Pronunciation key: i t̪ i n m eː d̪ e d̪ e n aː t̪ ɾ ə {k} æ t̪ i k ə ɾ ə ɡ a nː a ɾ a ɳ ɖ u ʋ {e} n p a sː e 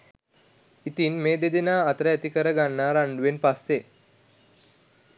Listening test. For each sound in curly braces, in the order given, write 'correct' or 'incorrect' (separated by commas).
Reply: incorrect, correct